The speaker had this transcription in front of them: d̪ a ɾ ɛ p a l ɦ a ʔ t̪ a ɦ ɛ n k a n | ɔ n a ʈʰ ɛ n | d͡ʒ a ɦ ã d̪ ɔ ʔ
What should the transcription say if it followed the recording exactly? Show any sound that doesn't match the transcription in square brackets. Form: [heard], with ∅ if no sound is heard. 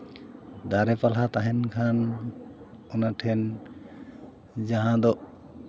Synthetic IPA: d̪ a ɾ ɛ p a l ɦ a [∅] t̪ a ɦ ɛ n [kʰ] a n | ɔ n a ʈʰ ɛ n | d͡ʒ a ɦ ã d̪ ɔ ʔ